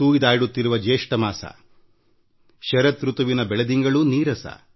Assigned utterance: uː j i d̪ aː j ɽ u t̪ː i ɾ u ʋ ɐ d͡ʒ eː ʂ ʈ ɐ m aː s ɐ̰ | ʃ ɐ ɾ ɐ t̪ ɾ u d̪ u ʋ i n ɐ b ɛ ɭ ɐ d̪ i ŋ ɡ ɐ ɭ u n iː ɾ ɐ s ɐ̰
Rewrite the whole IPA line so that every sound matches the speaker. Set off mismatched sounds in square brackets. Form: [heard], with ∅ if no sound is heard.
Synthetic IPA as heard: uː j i d̪ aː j ɽ u t̪ː i ɾ u ʋ ɐ d͡ʒ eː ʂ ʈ ɐ m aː s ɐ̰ | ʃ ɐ ɾ ɐ t̪ ɾ u [t̪] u ʋ i n ɐ b ɛ ɭ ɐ d̪ i ŋ ɡ ɐ ɭ u n iː ɾ ɐ s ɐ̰